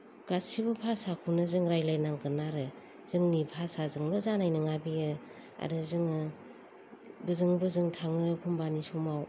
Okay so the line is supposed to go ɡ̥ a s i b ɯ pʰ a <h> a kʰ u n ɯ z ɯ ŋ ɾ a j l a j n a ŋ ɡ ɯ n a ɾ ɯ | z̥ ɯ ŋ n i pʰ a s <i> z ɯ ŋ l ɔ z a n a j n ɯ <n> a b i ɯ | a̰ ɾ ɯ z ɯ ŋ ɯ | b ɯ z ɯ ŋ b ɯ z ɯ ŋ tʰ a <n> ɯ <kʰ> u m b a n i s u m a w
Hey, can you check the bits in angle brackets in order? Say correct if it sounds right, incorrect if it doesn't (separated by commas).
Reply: incorrect, incorrect, incorrect, incorrect, incorrect